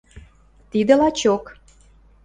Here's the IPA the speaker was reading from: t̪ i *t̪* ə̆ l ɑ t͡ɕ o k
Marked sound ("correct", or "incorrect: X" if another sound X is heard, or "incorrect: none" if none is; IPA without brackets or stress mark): incorrect: d̪